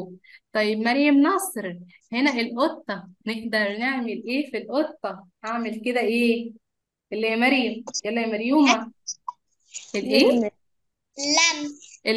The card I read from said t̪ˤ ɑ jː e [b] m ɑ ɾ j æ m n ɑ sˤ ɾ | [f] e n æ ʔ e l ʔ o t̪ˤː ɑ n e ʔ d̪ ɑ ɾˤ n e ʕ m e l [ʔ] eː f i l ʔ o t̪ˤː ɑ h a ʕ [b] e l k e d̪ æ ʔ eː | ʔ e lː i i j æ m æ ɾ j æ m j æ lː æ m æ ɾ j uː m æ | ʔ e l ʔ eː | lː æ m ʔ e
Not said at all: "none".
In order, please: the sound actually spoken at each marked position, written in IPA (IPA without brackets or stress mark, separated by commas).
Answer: b, h, ʔ, m